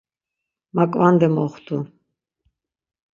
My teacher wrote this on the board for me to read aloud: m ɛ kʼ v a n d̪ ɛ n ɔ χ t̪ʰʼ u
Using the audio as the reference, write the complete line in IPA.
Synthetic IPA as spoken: m a kʼ v a n d̪ ɛ m ɔ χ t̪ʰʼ u